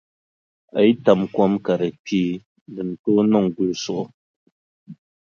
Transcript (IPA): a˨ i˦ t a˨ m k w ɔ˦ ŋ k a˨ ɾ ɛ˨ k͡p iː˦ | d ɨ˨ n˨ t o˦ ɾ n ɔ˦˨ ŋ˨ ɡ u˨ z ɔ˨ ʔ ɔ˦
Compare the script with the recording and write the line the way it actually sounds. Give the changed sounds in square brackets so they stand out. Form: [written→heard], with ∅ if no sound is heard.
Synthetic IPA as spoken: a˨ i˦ t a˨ m k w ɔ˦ [ŋ→m] k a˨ ɾ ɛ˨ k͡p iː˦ | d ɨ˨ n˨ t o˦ [ɾ→∅] n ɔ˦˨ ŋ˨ ɡ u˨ [z→s] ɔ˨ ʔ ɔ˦